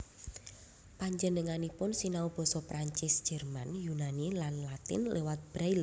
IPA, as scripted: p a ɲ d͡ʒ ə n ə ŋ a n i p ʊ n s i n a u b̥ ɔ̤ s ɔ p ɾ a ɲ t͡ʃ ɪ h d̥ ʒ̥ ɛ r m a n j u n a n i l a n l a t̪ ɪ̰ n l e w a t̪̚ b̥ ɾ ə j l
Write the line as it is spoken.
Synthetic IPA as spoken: p a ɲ d͡ʒ ə n ə ŋ a n i p ʊ n s i n a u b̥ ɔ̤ s ɔ p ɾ a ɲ t͡ʃ ɪ s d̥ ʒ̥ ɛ r m a n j u n a n i l a n l a t̪ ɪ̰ n l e w a t̪̚ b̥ ɾ a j l